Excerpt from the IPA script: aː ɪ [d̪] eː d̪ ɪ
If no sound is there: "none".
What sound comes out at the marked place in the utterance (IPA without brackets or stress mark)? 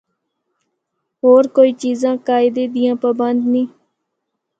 d̪